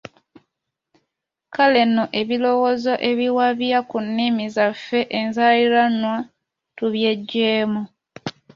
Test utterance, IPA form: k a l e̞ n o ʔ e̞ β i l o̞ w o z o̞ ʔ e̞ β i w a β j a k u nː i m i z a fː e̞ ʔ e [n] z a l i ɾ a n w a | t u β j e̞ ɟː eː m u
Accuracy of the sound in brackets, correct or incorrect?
correct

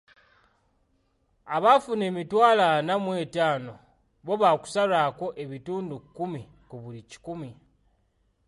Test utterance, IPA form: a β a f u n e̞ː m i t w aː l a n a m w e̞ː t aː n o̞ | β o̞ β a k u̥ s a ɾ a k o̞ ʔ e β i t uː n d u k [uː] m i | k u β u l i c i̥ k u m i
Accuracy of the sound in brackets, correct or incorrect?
incorrect: u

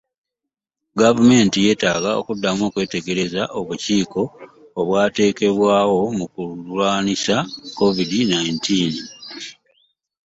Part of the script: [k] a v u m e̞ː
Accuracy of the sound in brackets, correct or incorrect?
incorrect: ɡ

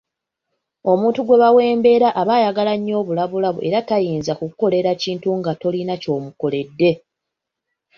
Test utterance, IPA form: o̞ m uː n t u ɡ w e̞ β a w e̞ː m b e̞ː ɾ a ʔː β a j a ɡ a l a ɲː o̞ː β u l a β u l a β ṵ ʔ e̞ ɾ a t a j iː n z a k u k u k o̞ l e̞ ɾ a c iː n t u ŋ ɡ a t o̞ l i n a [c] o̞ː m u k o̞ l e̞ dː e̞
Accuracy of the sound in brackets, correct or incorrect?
correct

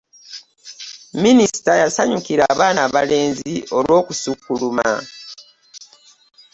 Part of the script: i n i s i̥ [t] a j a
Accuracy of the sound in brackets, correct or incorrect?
correct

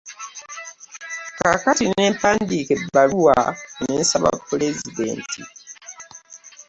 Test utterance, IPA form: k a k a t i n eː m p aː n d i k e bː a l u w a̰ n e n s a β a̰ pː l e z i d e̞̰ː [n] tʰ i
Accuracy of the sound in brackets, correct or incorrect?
correct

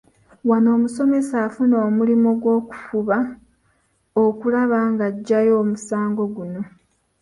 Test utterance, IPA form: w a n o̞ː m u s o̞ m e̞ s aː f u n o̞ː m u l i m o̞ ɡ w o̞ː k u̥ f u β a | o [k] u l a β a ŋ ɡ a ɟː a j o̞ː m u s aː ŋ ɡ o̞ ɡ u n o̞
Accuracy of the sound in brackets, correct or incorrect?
correct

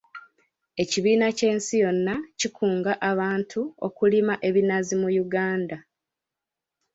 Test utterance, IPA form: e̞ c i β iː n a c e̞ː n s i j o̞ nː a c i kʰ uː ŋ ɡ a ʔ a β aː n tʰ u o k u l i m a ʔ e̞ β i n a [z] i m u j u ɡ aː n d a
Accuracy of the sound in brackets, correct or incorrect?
correct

